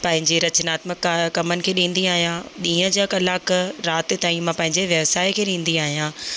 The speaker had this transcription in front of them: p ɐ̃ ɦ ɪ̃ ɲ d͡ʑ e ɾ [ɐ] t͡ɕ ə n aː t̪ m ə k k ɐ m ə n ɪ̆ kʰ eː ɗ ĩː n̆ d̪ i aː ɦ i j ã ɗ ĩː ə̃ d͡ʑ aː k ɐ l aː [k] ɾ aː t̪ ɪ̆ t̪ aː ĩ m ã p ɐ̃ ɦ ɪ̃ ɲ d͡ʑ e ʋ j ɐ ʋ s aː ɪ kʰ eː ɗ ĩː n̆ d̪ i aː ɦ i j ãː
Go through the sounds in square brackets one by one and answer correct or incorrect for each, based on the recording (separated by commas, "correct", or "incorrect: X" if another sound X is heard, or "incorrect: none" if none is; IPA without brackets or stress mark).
correct, correct